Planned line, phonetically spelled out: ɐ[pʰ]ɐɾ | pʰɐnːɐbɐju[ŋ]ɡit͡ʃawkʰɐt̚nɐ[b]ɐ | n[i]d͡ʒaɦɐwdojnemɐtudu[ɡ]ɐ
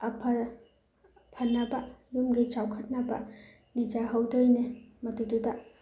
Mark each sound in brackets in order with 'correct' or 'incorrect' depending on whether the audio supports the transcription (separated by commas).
correct, incorrect, correct, correct, incorrect